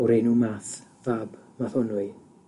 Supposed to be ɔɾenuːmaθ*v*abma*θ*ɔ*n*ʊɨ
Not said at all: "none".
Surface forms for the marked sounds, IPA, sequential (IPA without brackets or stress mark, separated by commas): v, θ, n